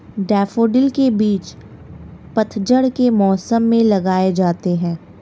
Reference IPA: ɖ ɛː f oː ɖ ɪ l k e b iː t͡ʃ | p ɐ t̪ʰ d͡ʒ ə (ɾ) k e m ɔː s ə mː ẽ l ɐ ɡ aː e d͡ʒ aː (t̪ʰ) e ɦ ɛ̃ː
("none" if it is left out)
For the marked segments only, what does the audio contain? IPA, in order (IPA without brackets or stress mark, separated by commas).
ɽ, t̪